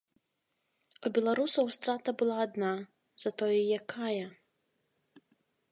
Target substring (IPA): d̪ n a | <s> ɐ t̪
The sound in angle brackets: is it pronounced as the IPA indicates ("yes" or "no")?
no